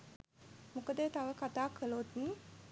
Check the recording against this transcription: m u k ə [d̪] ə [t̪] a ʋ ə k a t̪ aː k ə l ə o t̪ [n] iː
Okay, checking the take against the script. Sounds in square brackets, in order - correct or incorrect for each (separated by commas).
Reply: correct, correct, correct